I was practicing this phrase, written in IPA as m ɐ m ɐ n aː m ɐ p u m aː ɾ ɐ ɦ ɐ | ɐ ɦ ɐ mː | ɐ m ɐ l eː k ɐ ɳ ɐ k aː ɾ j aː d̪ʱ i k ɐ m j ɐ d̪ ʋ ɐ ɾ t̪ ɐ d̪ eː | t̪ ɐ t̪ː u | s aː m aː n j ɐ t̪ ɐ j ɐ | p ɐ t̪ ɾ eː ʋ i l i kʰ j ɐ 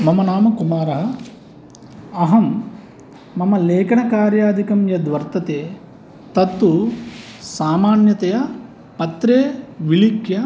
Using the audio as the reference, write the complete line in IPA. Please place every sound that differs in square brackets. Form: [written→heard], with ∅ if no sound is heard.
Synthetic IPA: m ɐ m ɐ n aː m ɐ [p→k] u m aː ɾ ɐ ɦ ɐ | ɐ ɦ ɐ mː | ɐ m ɐ l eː k ɐ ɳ ɐ k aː ɾ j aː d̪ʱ i k ɐ m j ɐ d̪ ʋ ɐ ɾ t̪ ɐ [d̪→t̪] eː | t̪ ɐ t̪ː u | s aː m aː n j ɐ t̪ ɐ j ɐ | p ɐ t̪ ɾ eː ʋ i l i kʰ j ɐ